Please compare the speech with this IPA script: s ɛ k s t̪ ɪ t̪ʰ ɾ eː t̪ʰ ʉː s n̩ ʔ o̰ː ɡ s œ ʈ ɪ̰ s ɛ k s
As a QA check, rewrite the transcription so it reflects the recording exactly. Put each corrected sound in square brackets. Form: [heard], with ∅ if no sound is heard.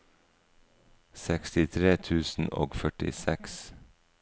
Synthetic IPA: s ɛ k s t̪ ɪ t̪ʰ ɾ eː t̪ʰ ʉː s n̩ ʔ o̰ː ɡ [f] œ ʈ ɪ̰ s ɛ k s